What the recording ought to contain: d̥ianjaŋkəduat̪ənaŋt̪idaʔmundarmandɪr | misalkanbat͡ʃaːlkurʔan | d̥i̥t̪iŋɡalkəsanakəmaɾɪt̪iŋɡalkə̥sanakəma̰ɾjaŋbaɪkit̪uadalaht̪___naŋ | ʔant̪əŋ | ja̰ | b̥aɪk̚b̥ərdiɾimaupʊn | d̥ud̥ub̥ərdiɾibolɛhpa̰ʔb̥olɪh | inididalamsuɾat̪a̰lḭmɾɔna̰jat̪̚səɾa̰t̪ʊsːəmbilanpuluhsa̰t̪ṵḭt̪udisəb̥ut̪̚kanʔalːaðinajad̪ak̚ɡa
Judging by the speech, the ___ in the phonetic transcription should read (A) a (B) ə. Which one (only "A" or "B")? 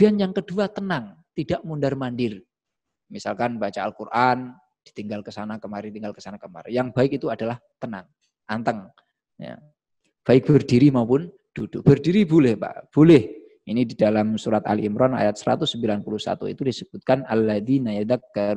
B